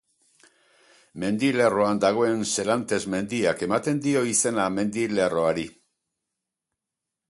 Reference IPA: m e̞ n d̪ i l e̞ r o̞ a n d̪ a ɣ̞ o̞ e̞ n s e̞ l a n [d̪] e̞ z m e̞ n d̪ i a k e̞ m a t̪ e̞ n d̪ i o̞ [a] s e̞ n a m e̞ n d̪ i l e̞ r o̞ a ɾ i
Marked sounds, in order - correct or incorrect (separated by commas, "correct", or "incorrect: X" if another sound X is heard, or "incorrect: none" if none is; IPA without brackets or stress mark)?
incorrect: t̪, incorrect: i